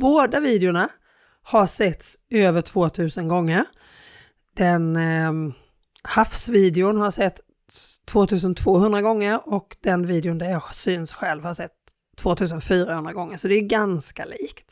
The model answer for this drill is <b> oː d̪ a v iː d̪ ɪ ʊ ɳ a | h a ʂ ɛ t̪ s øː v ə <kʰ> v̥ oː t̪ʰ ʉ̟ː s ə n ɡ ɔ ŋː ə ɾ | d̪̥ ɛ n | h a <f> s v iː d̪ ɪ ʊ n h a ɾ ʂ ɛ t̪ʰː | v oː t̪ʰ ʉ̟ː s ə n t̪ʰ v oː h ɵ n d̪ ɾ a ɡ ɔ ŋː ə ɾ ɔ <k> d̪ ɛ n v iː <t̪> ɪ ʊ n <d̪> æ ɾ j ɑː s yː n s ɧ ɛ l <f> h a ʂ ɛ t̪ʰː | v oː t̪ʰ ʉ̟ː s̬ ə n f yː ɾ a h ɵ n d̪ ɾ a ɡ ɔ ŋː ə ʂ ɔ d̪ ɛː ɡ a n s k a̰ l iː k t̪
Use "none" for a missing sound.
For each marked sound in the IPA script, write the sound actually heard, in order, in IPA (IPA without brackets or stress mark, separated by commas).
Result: b, ʈʰ, f, k, d̪, d̪, v